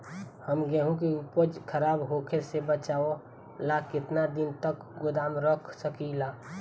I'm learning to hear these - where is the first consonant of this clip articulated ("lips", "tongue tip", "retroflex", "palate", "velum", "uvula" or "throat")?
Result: throat